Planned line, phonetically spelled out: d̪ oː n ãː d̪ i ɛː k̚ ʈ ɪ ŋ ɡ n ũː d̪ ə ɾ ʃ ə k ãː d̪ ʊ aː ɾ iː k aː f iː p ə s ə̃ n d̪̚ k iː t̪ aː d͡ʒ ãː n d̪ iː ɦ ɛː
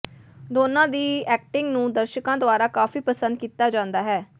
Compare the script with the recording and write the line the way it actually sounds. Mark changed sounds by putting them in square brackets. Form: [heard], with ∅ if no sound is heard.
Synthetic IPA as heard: d̪ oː n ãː d̪ [iː] ɛː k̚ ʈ ɪ ŋ ɡ n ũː d̪ ə ɾ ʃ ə k ãː d̪ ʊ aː ɾ [aː] k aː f iː p ə s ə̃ n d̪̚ k iː t̪ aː d͡ʒ ãː n d̪ [aː] ɦ ɛː